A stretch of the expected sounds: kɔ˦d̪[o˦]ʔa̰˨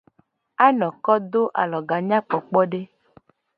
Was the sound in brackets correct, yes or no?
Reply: yes